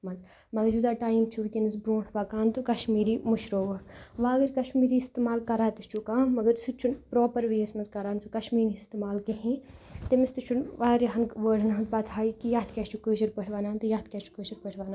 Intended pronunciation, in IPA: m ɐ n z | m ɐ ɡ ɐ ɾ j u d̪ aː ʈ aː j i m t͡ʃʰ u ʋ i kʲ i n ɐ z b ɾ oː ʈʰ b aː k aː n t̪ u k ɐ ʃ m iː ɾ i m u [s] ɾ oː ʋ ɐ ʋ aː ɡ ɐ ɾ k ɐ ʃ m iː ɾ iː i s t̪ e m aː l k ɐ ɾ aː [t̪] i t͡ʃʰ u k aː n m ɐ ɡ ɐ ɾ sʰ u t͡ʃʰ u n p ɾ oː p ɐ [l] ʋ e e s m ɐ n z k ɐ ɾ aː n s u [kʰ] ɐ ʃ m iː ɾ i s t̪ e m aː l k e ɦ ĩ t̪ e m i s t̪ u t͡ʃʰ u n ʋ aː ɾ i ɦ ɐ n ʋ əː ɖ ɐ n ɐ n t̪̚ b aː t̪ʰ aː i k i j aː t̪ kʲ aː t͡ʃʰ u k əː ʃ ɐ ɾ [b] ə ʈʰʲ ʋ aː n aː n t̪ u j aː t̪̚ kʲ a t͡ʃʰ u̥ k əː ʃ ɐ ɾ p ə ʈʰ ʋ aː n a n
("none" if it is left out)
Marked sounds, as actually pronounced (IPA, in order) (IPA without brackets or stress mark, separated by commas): ʃ, t̪, ɾ, k, p